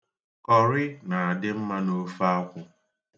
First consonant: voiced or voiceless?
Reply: voiceless